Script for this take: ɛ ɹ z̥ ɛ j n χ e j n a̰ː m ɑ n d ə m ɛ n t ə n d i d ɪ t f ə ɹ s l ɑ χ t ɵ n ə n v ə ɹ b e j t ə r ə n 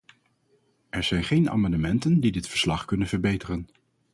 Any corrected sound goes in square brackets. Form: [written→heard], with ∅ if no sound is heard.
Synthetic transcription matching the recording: ɛ ɹ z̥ ɛ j n χ e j n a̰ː m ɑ n d ə m ɛ n t ə n d i d ɪ t f ə ɹ s l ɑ χ [t→k] ɵ n ə n v ə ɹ b e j t ə r ə n